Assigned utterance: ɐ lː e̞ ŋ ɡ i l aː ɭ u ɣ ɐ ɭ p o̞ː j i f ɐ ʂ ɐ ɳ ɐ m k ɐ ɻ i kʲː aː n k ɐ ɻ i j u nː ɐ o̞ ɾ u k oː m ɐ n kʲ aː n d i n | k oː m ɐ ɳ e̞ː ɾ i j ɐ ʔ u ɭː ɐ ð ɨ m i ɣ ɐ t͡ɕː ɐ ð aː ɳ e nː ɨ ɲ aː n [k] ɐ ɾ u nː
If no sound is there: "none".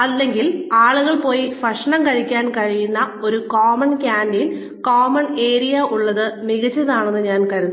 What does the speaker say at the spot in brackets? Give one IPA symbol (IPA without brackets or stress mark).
k